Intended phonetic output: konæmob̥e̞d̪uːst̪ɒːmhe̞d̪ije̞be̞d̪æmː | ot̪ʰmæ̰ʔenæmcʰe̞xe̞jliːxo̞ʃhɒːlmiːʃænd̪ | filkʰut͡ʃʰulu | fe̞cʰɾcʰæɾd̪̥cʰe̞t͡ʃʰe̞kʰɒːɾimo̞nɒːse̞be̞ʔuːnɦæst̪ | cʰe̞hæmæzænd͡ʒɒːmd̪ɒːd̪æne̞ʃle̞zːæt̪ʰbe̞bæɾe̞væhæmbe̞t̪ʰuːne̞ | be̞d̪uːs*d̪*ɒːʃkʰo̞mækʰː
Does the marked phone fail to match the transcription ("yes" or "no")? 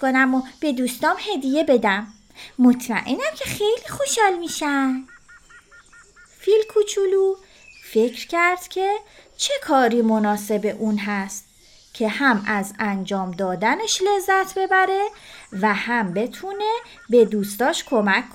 yes